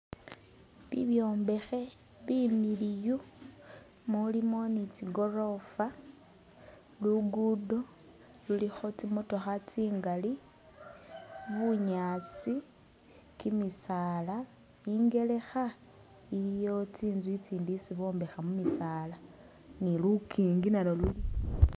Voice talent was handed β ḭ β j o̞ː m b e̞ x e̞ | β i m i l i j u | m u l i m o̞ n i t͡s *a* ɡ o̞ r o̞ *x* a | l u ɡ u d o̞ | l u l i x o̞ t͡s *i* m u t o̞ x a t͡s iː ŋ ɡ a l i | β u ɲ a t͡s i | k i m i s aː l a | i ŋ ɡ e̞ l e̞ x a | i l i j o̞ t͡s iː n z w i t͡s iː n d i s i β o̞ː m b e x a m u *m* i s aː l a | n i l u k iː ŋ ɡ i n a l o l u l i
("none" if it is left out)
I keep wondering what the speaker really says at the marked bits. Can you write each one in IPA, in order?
i, f, i, m

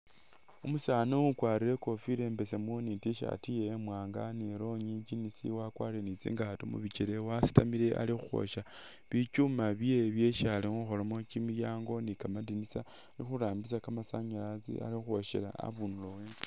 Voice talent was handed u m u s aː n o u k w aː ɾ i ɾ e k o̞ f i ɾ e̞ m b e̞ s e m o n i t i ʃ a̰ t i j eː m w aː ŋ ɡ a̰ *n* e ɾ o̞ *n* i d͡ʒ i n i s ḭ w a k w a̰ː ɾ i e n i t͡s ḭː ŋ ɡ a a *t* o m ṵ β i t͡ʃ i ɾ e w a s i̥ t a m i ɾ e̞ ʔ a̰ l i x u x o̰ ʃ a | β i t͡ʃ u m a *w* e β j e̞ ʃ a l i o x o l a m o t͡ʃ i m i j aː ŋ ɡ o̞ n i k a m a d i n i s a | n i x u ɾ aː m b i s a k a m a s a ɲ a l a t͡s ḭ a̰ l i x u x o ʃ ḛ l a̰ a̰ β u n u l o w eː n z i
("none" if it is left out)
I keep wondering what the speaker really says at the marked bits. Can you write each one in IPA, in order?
n, ɲ, t, β

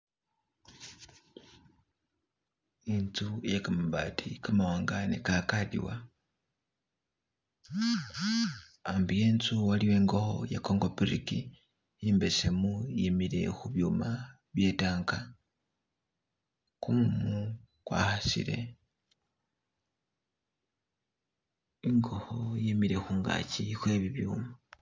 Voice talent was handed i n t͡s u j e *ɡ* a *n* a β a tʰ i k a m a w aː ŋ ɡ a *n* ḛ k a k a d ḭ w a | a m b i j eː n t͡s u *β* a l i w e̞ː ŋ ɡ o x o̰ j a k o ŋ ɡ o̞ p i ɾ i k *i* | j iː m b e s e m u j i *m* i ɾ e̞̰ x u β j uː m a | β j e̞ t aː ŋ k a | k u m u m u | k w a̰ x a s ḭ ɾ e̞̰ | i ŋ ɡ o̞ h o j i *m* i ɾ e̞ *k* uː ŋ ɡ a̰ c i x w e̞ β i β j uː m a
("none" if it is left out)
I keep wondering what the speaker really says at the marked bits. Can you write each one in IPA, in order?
k, m, n, w, i, m, m, x

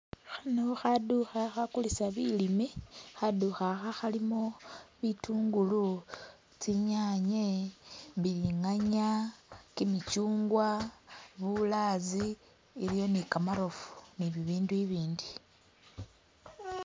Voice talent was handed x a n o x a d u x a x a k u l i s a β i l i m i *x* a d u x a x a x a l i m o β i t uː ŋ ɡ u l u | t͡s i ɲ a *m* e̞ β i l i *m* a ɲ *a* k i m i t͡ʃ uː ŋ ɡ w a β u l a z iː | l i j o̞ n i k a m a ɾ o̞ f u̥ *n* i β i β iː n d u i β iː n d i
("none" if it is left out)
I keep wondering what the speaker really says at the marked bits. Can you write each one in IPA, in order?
x, ɲ, ŋ, a, n

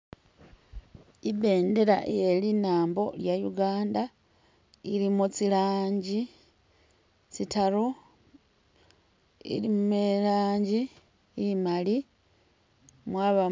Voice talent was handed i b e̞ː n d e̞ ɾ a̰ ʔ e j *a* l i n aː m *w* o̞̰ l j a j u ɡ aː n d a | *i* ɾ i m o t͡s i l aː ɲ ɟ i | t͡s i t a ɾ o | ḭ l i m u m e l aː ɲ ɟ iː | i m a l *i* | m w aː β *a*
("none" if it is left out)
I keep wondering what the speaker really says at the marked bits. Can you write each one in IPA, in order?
e, b, i, i, a

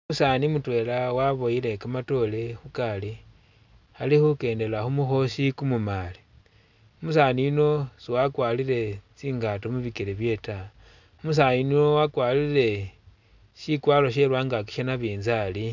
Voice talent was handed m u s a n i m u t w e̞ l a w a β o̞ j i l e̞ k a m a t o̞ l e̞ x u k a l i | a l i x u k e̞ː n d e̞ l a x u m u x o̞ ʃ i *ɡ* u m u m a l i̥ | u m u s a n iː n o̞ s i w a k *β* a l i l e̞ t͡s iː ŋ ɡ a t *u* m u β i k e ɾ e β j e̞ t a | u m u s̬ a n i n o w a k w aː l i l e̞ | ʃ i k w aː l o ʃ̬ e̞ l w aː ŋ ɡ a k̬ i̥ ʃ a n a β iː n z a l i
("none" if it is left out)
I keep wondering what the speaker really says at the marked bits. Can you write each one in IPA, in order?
k, w, o

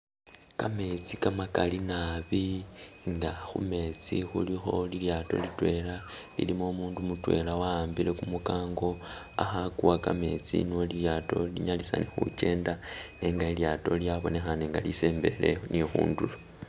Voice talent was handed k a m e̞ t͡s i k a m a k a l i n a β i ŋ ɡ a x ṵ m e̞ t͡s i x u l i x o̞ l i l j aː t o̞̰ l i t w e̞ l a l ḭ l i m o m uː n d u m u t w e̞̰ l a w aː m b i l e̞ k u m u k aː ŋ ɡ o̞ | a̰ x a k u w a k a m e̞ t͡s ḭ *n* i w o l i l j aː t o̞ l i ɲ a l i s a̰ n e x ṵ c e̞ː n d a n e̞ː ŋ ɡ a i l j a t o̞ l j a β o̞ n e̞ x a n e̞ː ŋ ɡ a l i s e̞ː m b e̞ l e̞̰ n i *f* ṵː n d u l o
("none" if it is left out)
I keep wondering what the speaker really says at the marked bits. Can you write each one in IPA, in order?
n, x

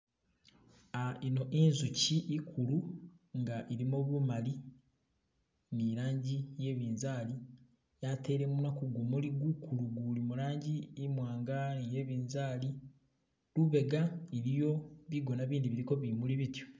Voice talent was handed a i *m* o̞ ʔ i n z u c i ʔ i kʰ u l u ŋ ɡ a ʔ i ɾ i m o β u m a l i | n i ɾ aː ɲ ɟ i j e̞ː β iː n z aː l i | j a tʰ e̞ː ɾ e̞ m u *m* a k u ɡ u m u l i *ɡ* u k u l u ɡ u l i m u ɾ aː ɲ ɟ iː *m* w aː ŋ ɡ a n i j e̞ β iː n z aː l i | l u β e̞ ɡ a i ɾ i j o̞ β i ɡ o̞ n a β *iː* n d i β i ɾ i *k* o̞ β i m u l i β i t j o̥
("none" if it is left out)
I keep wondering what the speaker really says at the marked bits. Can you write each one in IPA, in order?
n, n, ɡ, m, iː, k

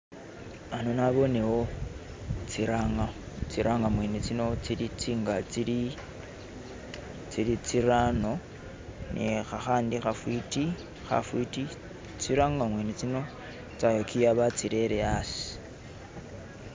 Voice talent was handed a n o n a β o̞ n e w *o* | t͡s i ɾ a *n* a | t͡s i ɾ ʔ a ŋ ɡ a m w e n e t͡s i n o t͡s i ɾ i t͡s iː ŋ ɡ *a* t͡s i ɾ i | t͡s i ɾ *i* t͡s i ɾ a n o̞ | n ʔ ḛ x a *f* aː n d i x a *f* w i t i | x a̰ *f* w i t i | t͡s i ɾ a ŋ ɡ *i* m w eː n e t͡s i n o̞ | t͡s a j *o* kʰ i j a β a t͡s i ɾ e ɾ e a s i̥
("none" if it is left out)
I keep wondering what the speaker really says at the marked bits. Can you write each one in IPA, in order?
o, ŋ, a, i, x, f, f, a, o

